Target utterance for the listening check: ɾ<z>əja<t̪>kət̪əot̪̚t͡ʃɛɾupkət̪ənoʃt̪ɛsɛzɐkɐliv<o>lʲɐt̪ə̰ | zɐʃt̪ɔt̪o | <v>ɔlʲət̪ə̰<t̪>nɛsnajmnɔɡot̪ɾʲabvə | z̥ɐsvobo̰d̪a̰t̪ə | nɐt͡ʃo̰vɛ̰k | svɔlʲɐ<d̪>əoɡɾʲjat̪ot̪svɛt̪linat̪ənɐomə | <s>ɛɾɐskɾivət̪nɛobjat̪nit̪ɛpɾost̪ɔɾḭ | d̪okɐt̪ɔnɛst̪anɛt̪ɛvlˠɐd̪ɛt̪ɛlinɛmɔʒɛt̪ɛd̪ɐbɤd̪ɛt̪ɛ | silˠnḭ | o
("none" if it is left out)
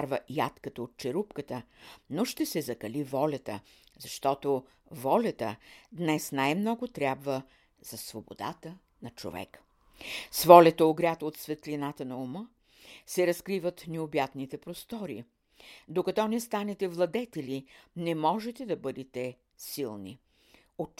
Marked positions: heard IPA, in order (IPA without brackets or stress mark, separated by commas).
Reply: v, t̪, ɔ, v, d̪, t̪, s